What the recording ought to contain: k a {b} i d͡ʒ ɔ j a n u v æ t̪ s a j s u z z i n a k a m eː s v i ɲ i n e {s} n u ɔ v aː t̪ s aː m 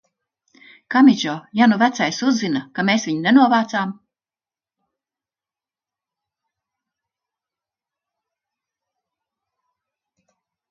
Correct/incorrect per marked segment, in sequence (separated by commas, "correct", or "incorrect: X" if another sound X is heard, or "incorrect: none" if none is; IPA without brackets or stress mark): incorrect: m, incorrect: none